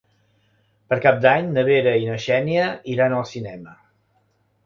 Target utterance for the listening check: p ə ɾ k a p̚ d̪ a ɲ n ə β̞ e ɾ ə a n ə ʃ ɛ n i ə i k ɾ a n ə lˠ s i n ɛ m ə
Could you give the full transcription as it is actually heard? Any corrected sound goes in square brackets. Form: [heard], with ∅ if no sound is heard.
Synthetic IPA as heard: p ə ɾ k a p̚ d̪ a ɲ n ə β̞ e ɾ ə [i] n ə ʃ ɛ n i ə i [∅] ɾ a n ə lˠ s i n ɛ m ə